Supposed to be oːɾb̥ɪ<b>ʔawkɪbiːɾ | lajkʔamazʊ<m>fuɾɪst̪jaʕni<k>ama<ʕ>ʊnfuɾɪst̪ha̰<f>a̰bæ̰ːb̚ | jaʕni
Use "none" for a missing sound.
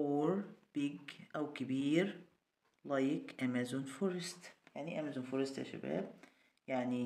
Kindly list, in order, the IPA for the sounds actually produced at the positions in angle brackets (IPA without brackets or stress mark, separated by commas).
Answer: ɡ, n, ʔ, z, ʃ